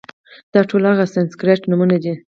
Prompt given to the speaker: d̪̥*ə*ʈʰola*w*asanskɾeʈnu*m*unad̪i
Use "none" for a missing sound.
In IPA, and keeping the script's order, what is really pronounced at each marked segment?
ɑ, ɣ, m

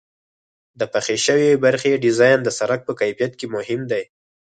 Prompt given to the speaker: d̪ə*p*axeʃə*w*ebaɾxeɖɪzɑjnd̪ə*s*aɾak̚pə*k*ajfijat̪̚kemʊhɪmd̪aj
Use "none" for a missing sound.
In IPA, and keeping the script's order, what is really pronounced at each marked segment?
p, w, s, k

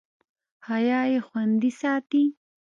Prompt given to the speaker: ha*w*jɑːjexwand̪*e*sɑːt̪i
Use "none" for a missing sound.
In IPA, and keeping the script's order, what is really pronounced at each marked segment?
none, i

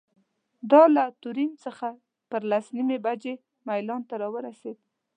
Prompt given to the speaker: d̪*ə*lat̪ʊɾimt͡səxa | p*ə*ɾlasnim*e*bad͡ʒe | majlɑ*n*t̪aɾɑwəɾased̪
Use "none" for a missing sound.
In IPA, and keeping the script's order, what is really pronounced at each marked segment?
ɑ, ə, e, n

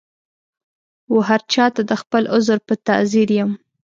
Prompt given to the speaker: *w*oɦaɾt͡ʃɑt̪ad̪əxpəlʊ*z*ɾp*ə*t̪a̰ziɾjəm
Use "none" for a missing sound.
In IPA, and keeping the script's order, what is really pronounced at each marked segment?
w, z, ə

